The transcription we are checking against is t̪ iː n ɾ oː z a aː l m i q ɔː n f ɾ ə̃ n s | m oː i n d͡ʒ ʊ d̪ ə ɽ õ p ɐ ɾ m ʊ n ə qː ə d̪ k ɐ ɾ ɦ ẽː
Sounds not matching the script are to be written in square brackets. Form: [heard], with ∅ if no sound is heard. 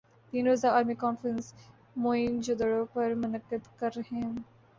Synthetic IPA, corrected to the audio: t̪ iː n ɾ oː z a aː [ɾ] m i [k] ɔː n f ɾ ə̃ n s | m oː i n d͡ʒ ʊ d̪ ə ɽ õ p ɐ ɾ m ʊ n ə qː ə d̪ k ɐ ɾ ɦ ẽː

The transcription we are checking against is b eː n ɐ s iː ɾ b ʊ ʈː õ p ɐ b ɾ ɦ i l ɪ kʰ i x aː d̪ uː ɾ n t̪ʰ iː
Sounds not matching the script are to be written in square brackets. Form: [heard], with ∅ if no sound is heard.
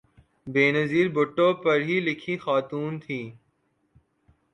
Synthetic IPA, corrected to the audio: b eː n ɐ [z] iː ɾ b ʊ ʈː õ p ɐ [∅] ɾ ɦ i l ɪ kʰ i x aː [t̪] uː [∅] n t̪ʰ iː

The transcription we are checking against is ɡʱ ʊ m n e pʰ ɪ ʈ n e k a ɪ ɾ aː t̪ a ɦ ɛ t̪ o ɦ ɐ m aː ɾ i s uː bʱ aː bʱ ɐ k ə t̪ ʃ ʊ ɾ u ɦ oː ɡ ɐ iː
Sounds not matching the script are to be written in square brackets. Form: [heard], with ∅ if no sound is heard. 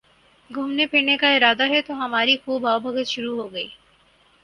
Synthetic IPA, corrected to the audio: ɡʱ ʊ m n e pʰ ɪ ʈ n e k a ɪ ɾ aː [d̪] a ɦ ɛ t̪ o ɦ ɐ m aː ɾ i [x] uː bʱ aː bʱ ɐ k ə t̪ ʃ ʊ ɾ u ɦ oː ɡ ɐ iː

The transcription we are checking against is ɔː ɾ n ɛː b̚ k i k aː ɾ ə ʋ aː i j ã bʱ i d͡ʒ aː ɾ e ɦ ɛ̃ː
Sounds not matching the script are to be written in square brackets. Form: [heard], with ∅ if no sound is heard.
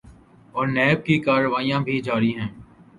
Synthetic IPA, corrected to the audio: ɔː ɾ n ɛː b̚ k i k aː ɾ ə ʋ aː i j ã bʱ i d͡ʒ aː ɾ [i] ɦ ɛ̃ː

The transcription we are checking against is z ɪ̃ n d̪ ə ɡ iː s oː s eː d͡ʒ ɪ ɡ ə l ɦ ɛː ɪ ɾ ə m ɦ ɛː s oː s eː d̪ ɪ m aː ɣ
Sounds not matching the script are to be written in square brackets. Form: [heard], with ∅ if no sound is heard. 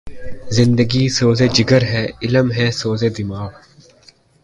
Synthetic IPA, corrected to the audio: z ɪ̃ n d̪ ə ɡ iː s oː [z] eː d͡ʒ ɪ ɡ ə [ɾ] ɦ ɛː ɪ [l] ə m ɦ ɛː s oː [z] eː d̪ ɪ m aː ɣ

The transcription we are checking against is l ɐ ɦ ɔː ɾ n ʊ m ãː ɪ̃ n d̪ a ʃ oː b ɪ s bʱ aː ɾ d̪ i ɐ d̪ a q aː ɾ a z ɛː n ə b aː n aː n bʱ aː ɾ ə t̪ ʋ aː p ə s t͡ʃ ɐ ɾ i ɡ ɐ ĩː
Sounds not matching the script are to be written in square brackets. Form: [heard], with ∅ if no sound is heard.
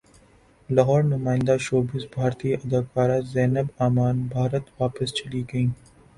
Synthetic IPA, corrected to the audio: l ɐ ɦ ɔː ɾ n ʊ m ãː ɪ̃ n d̪ a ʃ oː b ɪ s bʱ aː ɾ [t̪] i ɐ d̪ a [k] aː ɾ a z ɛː n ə b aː [m] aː n bʱ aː ɾ ə t̪ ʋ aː p ə s t͡ʃ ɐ [l] i ɡ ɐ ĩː

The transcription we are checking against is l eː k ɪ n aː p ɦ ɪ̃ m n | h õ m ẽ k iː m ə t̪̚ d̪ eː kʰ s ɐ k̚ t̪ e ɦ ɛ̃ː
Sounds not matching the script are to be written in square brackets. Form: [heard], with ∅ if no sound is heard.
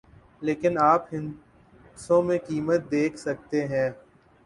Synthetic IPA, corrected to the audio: l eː k ɪ n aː p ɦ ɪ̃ [∅] n | [s] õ m ẽ k iː m ə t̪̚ d̪ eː kʰ s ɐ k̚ t̪ e ɦ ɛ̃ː

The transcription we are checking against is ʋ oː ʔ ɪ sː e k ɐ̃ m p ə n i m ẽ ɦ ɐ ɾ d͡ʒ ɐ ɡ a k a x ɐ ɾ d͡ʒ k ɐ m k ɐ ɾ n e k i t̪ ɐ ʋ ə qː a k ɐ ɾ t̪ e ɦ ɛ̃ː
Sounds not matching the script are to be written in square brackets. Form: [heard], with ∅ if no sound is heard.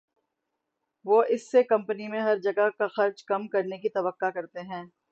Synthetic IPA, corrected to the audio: ʋ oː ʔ ɪ sː e k ɐ̃ m p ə n i m ẽ ɦ ɐ ɾ d͡ʒ ɐ ɡ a k a x ɐ ɾ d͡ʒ k ɐ m k ɐ ɾ n e k i t̪ ɐ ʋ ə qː a k ɐ ɾ t̪ e ɦ ɛ̃ː

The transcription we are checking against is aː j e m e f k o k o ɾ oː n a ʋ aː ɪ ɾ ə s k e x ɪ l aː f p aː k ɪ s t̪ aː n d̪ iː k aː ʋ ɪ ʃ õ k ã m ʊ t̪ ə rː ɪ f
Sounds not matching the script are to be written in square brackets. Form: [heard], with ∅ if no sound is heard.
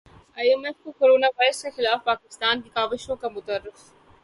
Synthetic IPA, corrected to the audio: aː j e m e f k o k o ɾ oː n a ʋ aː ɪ ɾ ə s k e x ɪ l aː f p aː k ɪ s t̪ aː n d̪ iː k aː ʋ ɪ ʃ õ k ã m ʊ t̪ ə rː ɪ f

